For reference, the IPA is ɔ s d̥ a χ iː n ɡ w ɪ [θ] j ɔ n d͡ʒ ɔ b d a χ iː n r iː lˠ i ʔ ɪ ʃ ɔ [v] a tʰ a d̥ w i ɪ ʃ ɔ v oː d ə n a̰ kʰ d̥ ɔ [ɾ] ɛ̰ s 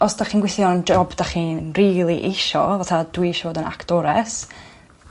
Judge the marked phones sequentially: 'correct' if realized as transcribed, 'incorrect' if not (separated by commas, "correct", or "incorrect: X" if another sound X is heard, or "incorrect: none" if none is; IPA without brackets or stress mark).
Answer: correct, correct, correct